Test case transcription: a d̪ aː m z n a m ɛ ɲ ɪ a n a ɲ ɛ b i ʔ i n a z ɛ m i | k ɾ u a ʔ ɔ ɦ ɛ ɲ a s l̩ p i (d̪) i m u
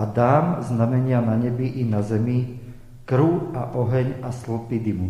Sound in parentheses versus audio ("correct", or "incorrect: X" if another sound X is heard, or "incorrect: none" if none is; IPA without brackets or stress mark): correct